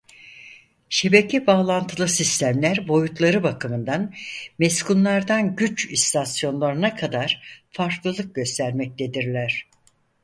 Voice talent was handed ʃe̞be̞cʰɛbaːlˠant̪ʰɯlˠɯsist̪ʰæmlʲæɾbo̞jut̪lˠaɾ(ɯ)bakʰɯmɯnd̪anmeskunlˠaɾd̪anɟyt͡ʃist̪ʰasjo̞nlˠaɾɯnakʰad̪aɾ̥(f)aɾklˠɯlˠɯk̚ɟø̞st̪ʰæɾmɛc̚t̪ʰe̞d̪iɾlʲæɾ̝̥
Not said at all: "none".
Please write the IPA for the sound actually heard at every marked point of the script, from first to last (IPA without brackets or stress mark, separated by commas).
ɯ, f